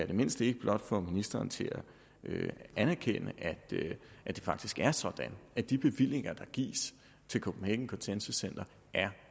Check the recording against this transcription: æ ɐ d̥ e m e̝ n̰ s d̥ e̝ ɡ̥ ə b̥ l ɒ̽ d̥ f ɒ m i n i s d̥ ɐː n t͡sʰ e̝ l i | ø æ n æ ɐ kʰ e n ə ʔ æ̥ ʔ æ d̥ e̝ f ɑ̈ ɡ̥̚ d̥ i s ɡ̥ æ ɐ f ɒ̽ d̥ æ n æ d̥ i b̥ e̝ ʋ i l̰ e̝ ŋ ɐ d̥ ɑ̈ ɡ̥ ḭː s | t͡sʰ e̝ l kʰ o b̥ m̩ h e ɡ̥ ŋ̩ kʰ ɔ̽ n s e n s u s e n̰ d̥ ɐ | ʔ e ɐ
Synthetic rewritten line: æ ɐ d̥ e m e̝ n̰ s d̥ e̝ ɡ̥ ə b̥ l ɒ̽ d̥ f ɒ m i n i s d̥ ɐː n t͡sʰ e̝ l æ | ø æ n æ ɐ kʰ e n ə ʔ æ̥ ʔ æ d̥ e̝ f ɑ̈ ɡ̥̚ d̥ i s ɡ̥ æ ɐ s ɒ̽ d̥ æ n æ d̥ i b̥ e̝ ʋ i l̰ e̝ ŋ ɐ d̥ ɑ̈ ɡ̥ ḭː s | t͡sʰ e̝ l kʰ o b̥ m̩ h e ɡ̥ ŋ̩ kʰ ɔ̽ n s e n s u s e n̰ d̥ ɐ | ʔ æ ɐ